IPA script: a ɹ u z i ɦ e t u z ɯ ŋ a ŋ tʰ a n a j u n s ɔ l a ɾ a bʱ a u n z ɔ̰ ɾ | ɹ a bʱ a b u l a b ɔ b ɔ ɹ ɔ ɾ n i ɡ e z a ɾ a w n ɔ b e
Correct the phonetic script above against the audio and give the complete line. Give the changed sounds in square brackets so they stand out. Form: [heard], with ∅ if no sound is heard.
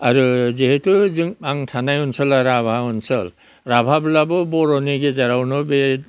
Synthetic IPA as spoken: a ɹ u z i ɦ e t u z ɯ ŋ a ŋ tʰ a n a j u n s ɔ l a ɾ a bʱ a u n [s] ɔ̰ [l] | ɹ a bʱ a b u l a b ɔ b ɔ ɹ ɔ [∅] n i ɡ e z a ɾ a w n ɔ b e